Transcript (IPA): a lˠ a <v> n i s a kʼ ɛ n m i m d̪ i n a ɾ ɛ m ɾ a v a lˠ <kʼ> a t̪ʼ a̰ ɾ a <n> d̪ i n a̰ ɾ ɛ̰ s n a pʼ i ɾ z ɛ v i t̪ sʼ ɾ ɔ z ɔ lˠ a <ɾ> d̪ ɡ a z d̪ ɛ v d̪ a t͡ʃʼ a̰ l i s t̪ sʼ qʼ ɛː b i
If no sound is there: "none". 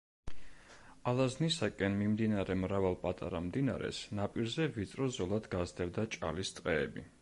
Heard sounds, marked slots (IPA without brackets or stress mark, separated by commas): z, pʼ, m, none